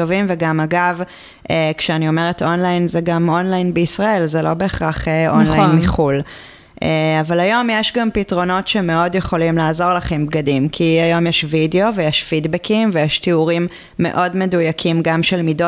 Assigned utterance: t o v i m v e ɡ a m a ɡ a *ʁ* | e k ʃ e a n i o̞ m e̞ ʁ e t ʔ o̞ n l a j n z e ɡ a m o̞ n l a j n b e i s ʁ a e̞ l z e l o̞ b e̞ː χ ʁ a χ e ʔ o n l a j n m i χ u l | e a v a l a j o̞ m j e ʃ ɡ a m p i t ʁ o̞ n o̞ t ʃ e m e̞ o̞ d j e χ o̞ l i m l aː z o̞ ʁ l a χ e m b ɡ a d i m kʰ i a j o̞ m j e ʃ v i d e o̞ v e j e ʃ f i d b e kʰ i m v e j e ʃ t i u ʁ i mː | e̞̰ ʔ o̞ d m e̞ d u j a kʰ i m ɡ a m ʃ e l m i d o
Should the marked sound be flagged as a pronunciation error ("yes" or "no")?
yes